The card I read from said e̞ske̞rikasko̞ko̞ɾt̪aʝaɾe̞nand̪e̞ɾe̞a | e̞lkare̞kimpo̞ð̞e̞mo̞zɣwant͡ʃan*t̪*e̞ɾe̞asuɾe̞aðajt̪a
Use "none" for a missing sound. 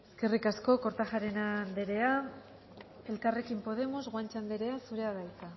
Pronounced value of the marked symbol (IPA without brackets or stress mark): d̪